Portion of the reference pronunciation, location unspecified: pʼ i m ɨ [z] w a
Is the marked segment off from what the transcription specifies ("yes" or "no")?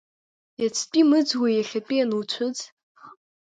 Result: yes